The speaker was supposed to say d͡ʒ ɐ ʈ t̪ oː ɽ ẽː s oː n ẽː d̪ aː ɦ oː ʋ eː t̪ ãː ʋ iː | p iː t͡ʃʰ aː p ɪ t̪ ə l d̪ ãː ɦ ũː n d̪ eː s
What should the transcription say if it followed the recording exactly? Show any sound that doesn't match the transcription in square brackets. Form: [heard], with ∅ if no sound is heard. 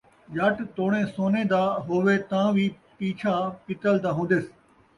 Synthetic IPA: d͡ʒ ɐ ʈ t̪ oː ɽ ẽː s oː n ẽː d̪ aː ɦ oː ʋ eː t̪ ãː ʋ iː | p iː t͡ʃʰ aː p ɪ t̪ ə l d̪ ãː ɦ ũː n d̪ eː s